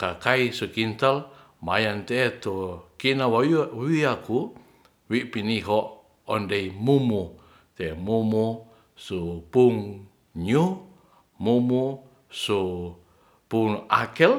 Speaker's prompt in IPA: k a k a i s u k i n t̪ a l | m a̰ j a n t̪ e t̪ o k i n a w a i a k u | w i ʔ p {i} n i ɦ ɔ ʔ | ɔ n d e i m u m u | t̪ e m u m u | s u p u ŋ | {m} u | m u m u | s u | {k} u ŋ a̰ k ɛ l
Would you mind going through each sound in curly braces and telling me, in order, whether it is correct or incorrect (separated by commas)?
correct, incorrect, incorrect